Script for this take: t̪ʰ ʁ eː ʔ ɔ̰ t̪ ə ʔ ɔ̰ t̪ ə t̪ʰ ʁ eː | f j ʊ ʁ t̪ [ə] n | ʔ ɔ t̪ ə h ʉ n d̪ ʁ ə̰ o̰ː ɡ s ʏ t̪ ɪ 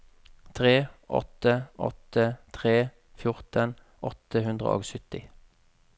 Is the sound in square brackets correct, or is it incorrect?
correct